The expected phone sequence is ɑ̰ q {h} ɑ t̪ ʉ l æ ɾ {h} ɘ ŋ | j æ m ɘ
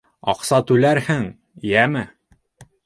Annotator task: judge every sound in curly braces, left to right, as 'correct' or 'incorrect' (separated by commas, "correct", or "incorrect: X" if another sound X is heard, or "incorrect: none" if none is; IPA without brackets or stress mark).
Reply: incorrect: s, correct